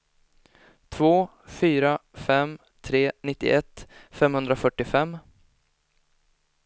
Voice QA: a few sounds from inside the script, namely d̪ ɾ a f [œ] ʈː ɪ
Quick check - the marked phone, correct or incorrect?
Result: correct